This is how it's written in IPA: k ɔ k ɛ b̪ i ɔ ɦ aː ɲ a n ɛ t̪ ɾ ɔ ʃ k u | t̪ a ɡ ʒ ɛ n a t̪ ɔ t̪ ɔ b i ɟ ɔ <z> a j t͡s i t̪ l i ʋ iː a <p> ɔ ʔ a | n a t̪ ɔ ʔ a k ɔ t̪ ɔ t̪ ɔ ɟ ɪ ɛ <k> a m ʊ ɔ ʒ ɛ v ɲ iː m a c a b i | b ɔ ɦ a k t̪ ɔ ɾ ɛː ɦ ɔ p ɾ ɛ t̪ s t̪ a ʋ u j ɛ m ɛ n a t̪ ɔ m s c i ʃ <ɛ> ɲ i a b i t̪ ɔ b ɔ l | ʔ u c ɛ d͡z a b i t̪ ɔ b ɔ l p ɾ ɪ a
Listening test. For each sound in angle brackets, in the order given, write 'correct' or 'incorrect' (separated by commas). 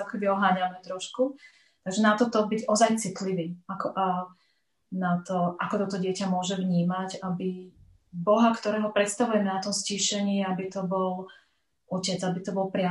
correct, incorrect, incorrect, correct